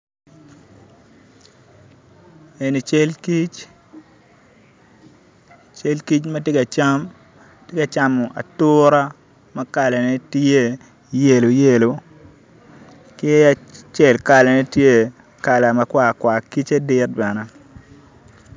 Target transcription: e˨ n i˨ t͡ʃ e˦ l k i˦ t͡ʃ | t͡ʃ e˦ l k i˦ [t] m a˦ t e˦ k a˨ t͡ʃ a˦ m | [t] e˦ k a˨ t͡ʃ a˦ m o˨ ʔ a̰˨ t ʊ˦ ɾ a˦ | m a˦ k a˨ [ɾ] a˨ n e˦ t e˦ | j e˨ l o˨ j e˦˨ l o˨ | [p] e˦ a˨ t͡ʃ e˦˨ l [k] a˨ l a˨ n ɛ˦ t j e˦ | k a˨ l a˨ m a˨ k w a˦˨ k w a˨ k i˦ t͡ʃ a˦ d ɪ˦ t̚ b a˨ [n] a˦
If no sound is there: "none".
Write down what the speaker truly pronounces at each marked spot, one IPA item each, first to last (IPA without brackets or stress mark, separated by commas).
t͡ʃ, t, l, k, k, n